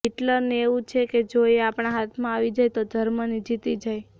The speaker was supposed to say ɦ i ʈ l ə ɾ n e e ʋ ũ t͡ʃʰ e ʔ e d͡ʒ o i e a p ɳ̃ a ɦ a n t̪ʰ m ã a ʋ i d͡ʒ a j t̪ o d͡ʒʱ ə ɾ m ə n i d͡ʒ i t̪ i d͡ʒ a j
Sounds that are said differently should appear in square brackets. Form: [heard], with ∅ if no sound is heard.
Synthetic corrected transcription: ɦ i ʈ l ə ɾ n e e ʋ ũ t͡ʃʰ e [k] e d͡ʒ o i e a p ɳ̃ a ɦ a [∅] t̪ʰ m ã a ʋ i d͡ʒ a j t̪ o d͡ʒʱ ə ɾ m ə n i d͡ʒ i t̪ i d͡ʒ a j

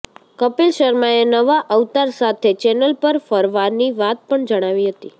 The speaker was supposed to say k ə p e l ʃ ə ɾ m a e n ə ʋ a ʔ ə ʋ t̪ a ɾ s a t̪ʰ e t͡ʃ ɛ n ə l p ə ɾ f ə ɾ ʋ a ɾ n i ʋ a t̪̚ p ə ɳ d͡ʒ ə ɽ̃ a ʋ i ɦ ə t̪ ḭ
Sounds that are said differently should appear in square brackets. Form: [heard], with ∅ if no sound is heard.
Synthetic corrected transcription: k ə p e l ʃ ə ɾ m a e n ə ʋ a ʔ ə ʋ t̪ a ɾ s a t̪ʰ e t͡ʃ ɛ n ə l p ə ɾ f ə ɾ ʋ a ɾ n i ʋ a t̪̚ p ə ɳ d͡ʒ ə ɽ̃ a ʋ i ɦ ə t̪ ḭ

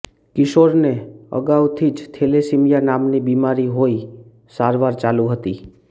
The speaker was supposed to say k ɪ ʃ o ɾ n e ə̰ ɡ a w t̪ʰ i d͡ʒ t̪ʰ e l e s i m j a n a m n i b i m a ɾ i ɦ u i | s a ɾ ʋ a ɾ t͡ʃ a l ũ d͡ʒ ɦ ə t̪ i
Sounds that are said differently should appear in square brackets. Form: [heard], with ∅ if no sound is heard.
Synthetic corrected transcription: k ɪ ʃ o ɾ n e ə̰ ɡ a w t̪ʰ i d͡ʒ t̪ʰ e l e s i m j a n a m n i b i m a ɾ i ɦ [o] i | s a ɾ ʋ a ɾ t͡ʃ a l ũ [∅] ɦ ə t̪ i

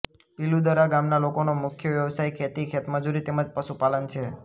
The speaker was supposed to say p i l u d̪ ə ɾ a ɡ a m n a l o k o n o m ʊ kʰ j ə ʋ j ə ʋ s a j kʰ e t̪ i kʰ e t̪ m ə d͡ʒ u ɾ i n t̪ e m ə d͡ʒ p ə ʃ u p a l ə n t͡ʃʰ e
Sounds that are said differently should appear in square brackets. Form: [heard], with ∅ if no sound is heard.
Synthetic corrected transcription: p i l u d̪ ə ɾ a ɡ a m n a l o k o n o m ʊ kʰ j ə ʋ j ə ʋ s a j kʰ e t̪ i kʰ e t̪ m ə d͡ʒ u ɾ i [∅] t̪ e m ə d͡ʒ p ə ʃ u p a l ə n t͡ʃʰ e

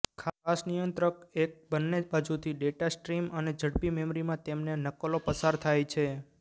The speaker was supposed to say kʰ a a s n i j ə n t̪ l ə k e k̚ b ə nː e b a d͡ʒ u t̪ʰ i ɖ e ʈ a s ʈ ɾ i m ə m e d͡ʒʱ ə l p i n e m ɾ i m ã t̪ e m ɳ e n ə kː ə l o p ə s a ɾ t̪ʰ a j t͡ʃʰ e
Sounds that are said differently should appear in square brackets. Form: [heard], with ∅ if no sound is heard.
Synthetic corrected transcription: kʰ a a s n i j ə n t̪ [ɾ] ə k e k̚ b ə nː e b a d͡ʒ u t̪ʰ i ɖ e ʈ a s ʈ ɾ i m ə [n] e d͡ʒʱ ə [ɽ] p i [m] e m ɾ i m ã t̪ e m [n] e n ə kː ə l o p ə s a ɾ t̪ʰ a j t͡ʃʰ e

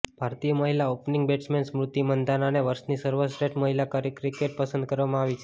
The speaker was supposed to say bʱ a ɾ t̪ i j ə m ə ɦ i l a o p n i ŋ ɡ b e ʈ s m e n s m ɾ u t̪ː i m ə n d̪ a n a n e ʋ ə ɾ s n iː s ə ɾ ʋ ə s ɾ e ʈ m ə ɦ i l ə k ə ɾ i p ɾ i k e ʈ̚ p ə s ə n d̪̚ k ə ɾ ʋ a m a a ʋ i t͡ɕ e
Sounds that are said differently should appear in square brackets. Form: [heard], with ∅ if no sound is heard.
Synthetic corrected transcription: bʱ a ɾ t̪ i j ə m ə ɦ i l a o p n i ŋ ɡ b e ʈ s m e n s m ɾ u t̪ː i m ə n d̪ a n a n e ʋ ə ɾ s n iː s ə ɾ ʋ ə s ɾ e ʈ m ə ɦ i l [a] k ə ɾ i [k] ɾ i k e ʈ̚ p ə s ə n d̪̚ k ə ɾ ʋ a m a a ʋ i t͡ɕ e

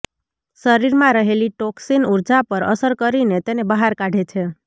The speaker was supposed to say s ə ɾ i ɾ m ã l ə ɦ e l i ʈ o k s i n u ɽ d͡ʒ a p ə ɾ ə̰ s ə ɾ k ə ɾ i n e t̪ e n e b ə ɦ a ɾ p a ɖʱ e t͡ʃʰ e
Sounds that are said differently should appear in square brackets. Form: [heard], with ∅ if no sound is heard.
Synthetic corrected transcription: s ə ɾ i ɾ m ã [ɾ] ə ɦ e l i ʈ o k s i n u [ɾ] d͡ʒ a p ə ɾ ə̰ s ə ɾ k ə ɾ i n e t̪ e n e b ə ɦ a ɾ [k] a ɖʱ e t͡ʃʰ e

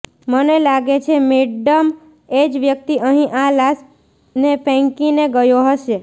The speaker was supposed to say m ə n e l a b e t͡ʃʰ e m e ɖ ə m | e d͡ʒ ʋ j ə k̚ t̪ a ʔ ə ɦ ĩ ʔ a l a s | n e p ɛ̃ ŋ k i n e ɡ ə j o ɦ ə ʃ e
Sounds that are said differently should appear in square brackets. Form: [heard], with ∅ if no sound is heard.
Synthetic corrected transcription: m ə n e l a [ɡ] e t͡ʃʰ e m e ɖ ə m | e d͡ʒ ʋ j ə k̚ t̪ [i] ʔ ə ɦ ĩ ʔ a l a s | n e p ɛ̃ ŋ k i n e ɡ ə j o ɦ ə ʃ e

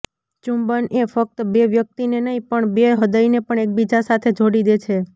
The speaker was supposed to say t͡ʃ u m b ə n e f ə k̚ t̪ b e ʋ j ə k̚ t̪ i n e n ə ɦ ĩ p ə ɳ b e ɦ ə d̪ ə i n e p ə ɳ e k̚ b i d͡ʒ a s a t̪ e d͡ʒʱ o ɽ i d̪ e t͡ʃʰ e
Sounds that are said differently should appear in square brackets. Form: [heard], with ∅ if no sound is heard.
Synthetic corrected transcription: t͡ʃ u m b ə n e f ə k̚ t̪ b e ʋ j ə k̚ t̪ i n e n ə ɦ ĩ p ə ɳ b e ɦ ə d̪ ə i n e p ə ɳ e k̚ b i d͡ʒ a s a [t̪ʰ] e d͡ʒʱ o ɽ i d̪ e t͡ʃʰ e

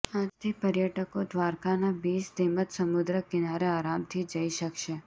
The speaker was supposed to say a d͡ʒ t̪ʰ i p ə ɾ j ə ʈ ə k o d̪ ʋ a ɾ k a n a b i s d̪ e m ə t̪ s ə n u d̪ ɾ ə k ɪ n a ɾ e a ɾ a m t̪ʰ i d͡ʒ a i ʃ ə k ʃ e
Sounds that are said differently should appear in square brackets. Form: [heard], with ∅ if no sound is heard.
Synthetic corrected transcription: a d͡ʒ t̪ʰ i p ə ɾ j ə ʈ ə k o d̪ ʋ a ɾ k a n a b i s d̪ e m ə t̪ s ə [m] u d̪ ɾ ə k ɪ n a ɾ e a ɾ a m t̪ʰ i d͡ʒ [ə] i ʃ ə k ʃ e

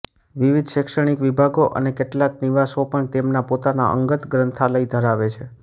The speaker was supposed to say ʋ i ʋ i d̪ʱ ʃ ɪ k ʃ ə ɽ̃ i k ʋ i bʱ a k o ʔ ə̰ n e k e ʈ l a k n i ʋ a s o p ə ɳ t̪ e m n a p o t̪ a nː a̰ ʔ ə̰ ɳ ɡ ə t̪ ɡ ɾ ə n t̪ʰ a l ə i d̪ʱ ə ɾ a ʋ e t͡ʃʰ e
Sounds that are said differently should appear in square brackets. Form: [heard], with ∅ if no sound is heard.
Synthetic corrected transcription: ʋ i ʋ i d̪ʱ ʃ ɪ k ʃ ə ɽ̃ i k ʋ i bʱ a [ɡ] o ʔ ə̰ n e k e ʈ l a k n i ʋ a s o p ə ɳ t̪ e m n a p o t̪ a [n] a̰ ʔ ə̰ [ŋ] ɡ ə t̪ ɡ ɾ ə n t̪ʰ a l ə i d̪ʱ ə ɾ a ʋ e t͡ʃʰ e

